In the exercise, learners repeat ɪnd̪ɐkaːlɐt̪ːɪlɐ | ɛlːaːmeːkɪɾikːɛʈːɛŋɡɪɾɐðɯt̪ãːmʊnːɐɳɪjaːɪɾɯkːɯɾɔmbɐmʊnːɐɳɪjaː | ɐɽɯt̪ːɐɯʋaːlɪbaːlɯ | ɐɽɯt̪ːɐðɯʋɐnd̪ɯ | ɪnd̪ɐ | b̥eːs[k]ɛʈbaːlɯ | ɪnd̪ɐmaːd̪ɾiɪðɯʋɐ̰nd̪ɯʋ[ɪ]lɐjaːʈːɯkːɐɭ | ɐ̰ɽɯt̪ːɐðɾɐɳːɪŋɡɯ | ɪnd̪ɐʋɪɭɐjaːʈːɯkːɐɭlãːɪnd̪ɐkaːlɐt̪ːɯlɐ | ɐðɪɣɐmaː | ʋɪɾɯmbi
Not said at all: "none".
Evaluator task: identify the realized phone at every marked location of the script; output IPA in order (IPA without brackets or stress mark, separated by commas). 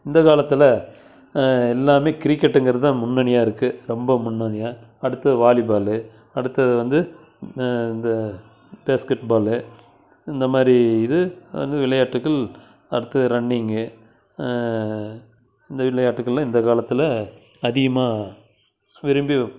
k, ɪ